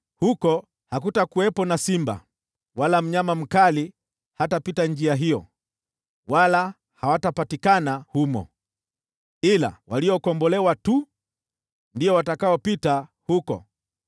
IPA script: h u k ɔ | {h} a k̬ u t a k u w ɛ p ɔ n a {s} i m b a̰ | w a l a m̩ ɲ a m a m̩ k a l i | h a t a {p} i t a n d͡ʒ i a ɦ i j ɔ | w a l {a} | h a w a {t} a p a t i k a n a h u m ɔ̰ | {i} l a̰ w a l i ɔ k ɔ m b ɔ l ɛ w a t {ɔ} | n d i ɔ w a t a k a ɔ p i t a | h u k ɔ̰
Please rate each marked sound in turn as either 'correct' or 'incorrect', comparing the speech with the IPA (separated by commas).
correct, correct, correct, correct, correct, correct, incorrect